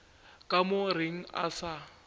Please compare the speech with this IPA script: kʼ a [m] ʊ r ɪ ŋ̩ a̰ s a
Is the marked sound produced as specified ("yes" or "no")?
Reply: yes